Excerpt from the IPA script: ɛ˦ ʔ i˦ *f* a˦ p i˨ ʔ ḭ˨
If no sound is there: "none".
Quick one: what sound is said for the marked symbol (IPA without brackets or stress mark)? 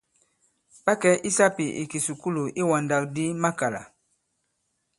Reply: s